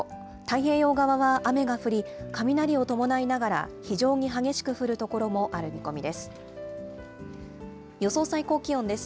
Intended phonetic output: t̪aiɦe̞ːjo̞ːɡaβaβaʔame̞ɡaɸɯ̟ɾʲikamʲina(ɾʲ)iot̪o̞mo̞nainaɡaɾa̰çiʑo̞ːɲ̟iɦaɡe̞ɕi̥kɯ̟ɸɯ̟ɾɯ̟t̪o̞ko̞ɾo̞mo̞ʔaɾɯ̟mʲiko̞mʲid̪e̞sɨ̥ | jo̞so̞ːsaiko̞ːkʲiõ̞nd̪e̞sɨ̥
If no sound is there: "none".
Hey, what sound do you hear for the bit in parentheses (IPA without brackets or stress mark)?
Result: ɾʲ